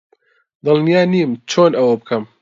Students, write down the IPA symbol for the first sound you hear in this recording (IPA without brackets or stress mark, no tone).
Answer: d̪